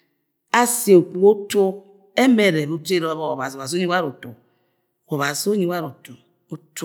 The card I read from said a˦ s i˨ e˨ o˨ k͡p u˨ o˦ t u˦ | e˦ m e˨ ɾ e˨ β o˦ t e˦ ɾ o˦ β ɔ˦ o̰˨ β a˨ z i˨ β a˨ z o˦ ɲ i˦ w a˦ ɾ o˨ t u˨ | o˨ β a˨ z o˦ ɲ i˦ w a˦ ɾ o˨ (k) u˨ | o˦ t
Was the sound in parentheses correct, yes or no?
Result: no